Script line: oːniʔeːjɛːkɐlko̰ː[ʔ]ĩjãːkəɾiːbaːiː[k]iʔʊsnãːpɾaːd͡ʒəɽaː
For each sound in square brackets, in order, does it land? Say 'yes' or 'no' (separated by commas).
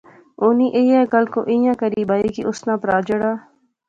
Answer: yes, yes